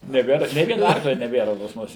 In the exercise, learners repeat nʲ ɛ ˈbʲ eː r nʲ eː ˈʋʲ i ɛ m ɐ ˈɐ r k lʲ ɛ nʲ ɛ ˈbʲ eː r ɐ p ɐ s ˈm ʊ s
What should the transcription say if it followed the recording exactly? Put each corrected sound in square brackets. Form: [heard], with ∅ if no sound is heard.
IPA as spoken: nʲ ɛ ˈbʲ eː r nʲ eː ˈʋʲ i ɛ [n] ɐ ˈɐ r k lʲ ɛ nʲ ɛ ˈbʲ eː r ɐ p ɐ s ˈm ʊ s

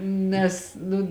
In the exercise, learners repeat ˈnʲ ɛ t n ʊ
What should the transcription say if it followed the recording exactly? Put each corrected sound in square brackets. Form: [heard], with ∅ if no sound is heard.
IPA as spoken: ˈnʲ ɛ [s] n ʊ

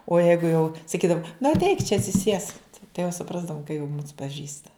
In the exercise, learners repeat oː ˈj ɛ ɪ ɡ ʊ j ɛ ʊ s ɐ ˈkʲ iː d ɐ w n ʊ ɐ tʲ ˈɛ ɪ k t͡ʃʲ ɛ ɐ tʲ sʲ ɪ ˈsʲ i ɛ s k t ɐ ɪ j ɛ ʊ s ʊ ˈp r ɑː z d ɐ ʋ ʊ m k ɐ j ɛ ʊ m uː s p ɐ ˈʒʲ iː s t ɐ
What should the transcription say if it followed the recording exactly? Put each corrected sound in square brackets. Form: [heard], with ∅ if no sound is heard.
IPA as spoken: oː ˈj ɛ ɪ ɡ ʊ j ɛ ʊ s ɐ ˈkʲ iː d ɐ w n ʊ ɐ tʲ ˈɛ ɪ k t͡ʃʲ ɛ ɐ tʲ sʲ ɪ ˈsʲ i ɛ s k t ɐ ɪ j ɛ ʊ s ʊ ˈp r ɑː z d ɐ ʋ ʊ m k ɐ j ɛ ʊ m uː s p ɐ ˈʒʲ iː s t ɐ

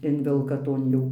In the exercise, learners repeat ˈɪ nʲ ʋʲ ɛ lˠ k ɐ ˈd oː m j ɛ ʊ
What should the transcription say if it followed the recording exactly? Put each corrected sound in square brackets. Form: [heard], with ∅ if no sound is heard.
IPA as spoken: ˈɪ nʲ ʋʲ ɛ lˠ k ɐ [ˈt] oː [n] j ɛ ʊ

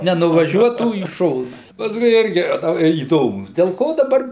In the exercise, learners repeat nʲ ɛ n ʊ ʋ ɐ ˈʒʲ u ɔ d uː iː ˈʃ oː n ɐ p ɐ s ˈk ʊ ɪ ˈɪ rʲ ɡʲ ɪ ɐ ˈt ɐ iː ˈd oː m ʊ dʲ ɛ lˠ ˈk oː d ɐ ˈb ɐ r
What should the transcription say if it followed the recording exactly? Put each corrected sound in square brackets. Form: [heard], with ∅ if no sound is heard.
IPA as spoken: nʲ ɛ n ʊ ʋ ɐ ˈʒʲ u ɔ [t] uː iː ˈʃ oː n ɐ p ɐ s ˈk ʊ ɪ ˈɪ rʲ ɡʲ ɪ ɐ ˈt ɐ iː ˈd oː m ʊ dʲ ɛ lˠ ˈk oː d ɐ ˈb ɐ r

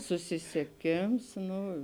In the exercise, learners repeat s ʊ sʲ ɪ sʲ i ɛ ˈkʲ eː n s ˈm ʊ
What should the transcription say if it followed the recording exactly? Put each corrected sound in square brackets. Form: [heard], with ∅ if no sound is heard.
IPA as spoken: s ʊ sʲ ɪ sʲ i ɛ ˈkʲ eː [m] s [ˈn] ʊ

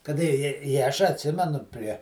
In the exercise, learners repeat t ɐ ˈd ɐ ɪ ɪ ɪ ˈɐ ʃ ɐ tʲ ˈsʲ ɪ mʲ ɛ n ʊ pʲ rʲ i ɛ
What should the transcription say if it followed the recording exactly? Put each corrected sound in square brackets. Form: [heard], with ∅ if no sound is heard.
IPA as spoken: [k] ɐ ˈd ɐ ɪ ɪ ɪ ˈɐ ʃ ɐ tʲ ˈsʲ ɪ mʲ ɛ n ʊ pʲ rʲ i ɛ

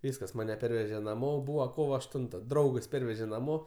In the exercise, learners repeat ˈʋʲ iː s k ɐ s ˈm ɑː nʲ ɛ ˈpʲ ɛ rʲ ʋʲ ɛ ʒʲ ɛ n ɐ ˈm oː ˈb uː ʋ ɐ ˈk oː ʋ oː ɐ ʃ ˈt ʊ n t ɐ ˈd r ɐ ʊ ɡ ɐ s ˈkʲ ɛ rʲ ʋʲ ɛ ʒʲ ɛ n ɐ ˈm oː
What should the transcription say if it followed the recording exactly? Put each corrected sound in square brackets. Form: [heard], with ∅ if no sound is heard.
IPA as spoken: ˈʋʲ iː s k ɐ s ˈm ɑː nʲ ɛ ˈpʲ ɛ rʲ ʋʲ ɛ ʒʲ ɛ n ɐ ˈm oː ˈb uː ʋ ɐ ˈk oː ʋ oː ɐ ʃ ˈt ʊ n t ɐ ˈd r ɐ ʊ ɡ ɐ s [ˈpʲ] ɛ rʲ ʋʲ ɛ ʒʲ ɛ n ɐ ˈm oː

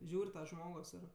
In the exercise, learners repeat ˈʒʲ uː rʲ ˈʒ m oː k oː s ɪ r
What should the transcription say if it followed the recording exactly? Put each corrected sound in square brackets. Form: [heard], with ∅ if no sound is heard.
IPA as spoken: ˈʒʲ uː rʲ ˈʒ m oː [ɡ] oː s ɪ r

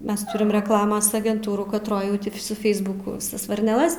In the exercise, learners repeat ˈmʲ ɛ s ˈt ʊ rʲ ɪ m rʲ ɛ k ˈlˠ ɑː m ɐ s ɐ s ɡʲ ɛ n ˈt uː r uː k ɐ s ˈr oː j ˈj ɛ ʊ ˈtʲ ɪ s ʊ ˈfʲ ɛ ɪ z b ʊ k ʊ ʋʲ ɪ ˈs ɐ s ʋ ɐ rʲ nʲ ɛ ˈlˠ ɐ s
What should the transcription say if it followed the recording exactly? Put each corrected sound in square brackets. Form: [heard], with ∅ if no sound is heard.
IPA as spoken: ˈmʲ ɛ s ˈt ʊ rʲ ɪ m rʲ ɛ k ˈlˠ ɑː m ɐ s ɐ [∅] ɡʲ ɛ n ˈt uː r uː k ɐ [t] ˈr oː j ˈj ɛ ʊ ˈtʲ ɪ s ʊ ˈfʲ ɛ ɪ z b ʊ k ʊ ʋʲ ɪ ˈs ɐ s ʋ ɐ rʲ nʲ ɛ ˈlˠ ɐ s

